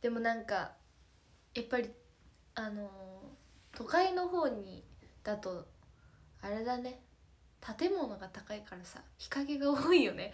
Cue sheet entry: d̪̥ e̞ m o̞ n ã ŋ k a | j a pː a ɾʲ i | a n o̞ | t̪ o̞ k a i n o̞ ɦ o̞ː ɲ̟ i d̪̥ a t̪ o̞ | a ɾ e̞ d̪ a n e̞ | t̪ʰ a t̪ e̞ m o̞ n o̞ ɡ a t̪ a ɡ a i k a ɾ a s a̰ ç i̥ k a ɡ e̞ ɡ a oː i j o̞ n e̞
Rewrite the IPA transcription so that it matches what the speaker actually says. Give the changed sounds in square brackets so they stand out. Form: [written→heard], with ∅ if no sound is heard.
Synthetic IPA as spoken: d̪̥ e̞ m o̞ n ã ŋ k a | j a pː a ɾʲ i | a n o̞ | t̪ o̞ k a i n o̞ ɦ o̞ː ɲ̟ i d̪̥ a t̪ o̞ | a ɾ e̞ d̪ a n e̞ | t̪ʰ a t̪ e̞ m o̞ n o̞ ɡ a t̪ a [ɡ→k] a i k a ɾ a s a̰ ç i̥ k a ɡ e̞ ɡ a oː i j o̞ n e̞